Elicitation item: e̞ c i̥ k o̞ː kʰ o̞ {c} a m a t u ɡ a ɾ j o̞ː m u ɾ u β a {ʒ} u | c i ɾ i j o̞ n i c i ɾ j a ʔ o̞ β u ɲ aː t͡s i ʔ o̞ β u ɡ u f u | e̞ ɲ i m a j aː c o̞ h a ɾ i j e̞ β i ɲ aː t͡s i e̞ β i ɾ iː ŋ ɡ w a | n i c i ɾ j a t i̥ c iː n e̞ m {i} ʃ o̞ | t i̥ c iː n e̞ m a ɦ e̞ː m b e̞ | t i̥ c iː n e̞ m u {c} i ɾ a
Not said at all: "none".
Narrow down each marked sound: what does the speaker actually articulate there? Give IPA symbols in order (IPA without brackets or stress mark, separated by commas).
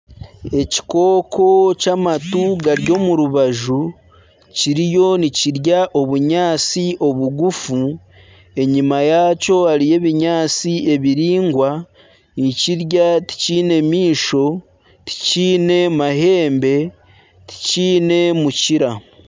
c, ʒ, iː, c